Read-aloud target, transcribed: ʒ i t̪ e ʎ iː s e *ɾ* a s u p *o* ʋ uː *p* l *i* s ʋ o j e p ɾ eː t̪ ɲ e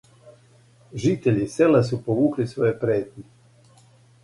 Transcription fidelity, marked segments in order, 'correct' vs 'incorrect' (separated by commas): incorrect, correct, incorrect, correct